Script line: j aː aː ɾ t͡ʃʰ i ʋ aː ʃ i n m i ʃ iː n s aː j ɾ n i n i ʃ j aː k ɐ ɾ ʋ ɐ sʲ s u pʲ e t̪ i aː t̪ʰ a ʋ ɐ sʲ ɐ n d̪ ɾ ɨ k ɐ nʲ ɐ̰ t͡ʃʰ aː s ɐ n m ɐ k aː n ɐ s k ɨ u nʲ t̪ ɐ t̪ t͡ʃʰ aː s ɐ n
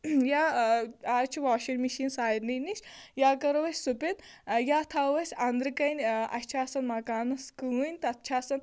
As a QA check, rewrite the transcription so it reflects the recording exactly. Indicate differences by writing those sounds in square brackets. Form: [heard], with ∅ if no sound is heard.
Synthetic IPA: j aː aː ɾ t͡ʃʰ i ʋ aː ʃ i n m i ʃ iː n s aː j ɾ n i n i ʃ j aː k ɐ ɾ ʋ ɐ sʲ s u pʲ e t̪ [j] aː t̪ʰ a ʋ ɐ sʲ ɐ n d̪ ɾ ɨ k ɐ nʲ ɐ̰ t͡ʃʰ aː s ɐ n m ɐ k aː n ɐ s k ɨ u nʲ t̪ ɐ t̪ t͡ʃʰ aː s ɐ n